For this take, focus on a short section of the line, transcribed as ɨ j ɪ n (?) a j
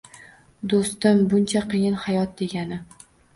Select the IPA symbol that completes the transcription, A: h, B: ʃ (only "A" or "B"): A